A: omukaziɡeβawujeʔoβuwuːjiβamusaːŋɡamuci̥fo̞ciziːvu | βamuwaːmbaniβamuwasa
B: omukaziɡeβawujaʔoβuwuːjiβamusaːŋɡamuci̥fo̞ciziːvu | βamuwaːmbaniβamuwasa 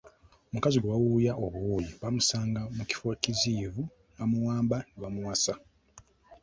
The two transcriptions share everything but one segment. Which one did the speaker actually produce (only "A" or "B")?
B